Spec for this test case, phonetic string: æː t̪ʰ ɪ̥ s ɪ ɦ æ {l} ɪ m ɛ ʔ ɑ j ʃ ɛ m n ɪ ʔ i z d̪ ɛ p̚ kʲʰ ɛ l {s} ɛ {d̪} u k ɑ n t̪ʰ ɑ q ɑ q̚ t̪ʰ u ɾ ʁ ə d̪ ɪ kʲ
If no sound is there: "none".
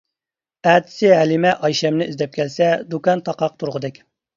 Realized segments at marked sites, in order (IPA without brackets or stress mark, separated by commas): l, s, d̪